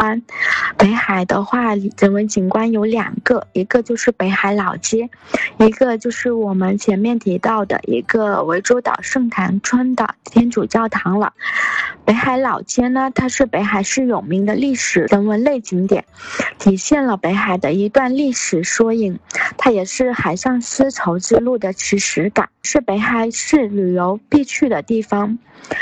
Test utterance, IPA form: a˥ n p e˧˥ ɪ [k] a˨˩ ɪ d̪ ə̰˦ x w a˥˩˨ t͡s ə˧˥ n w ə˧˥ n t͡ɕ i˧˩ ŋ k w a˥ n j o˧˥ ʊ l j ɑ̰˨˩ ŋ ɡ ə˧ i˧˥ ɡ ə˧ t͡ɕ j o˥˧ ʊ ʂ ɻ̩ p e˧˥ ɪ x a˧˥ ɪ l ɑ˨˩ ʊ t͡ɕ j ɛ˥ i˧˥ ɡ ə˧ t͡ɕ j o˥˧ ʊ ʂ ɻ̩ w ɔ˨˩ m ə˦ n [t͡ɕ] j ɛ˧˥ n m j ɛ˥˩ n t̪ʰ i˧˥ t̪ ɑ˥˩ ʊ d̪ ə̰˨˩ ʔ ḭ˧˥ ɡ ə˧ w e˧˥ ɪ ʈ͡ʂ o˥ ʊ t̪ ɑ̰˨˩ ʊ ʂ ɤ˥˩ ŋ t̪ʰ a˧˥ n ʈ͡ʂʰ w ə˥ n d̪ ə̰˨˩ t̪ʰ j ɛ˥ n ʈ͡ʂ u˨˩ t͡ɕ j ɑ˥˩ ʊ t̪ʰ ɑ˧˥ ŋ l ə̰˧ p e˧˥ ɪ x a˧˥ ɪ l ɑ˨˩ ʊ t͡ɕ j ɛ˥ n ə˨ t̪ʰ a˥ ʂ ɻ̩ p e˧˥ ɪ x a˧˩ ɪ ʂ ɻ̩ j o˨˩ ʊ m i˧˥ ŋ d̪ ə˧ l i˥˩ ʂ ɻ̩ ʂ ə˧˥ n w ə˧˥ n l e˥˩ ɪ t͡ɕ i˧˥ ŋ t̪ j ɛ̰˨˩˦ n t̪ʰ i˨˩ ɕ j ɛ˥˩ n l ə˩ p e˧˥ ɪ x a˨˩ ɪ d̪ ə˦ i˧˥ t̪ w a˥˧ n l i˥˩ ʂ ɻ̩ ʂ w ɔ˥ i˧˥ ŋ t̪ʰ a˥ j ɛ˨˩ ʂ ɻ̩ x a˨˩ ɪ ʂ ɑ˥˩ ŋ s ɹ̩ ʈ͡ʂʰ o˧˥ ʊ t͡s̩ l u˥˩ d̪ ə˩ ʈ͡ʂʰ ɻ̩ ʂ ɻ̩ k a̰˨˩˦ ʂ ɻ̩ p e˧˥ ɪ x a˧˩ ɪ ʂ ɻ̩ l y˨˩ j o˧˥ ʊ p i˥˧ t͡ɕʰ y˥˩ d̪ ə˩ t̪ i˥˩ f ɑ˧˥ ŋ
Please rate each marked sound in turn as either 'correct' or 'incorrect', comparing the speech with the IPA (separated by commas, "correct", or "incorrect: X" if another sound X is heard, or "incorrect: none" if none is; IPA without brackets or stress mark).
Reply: incorrect: x, incorrect: t͡ɕʰ